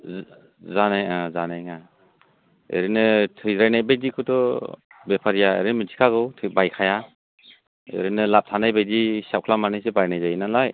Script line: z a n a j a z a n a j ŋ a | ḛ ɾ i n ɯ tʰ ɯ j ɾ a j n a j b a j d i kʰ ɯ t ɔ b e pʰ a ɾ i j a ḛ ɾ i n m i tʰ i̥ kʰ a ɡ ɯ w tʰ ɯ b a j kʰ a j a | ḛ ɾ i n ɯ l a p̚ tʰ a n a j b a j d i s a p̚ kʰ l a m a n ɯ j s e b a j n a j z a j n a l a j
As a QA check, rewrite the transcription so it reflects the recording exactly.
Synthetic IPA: z a n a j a z a n a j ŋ a | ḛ ɾ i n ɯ tʰ ɯ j ɾ a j n a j b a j d i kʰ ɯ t ɔ b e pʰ a ɾ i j a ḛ ɾ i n m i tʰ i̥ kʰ a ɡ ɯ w tʰ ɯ b a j kʰ a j a | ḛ ɾ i n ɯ l a p̚ tʰ a n a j b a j d i s a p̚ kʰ l a m a n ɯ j s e b a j n a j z a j n a l a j